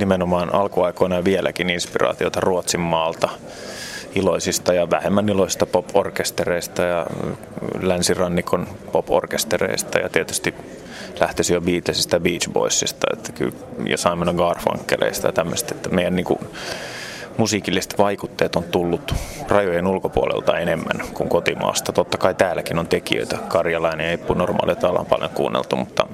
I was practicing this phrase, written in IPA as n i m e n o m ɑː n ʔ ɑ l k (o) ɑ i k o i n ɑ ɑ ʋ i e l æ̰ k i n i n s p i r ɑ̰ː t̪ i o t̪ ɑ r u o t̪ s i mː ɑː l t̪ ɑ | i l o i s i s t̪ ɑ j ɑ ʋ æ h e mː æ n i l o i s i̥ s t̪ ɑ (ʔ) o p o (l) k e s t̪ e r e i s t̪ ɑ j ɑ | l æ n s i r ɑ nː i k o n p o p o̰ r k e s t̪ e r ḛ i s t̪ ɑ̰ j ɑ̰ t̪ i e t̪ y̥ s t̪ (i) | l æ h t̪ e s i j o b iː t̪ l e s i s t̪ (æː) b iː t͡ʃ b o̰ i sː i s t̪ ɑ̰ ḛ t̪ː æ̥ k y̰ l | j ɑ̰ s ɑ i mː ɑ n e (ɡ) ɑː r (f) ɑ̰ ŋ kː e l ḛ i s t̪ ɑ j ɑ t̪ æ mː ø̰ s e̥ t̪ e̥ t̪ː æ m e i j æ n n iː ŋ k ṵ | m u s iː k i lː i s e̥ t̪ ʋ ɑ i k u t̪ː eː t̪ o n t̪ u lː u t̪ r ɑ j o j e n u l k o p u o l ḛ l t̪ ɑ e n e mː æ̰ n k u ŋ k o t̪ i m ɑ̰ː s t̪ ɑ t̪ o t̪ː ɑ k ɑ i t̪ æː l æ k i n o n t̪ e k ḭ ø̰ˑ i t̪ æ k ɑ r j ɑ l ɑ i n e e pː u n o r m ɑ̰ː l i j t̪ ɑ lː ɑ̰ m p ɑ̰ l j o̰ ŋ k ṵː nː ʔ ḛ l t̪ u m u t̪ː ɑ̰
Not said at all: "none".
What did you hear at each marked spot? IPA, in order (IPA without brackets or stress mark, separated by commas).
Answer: u, p, r, i, æ, ɡ, f